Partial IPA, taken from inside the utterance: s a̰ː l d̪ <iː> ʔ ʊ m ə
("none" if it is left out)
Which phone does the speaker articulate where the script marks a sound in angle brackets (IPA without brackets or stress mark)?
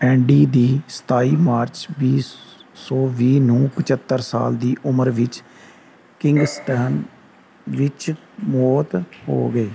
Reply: iː